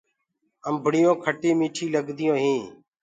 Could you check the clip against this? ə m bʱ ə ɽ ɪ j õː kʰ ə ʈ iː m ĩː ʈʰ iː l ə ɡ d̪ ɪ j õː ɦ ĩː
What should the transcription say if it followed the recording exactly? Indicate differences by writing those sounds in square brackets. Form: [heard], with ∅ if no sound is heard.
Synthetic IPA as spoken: ə m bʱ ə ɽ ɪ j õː kʰ ə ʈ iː m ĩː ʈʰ iː l ə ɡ d̪ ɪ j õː ɦ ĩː